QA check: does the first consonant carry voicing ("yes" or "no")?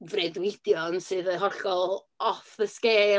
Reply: yes